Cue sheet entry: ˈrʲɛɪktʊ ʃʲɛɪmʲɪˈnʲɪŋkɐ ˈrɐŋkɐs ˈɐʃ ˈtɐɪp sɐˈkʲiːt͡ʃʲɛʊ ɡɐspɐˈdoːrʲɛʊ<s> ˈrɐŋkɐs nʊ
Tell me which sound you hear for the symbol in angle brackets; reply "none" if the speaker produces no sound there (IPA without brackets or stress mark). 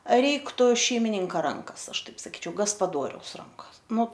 s